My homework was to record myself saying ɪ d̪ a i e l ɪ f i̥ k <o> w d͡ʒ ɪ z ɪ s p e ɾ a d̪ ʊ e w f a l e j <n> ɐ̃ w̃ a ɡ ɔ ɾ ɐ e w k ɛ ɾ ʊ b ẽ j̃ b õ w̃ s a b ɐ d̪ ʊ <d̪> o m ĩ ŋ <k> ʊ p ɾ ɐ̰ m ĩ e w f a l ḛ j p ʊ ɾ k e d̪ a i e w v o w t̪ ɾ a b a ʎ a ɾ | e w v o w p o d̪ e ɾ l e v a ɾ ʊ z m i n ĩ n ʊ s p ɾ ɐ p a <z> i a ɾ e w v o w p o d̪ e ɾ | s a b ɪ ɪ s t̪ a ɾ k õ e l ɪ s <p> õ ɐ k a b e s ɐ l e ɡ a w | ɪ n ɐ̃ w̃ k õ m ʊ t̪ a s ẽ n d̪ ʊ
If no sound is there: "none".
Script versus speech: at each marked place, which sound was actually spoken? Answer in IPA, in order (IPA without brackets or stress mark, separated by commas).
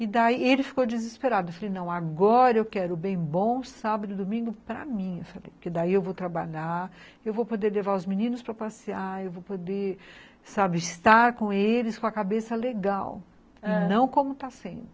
o, n, d̪, ɡ, s, k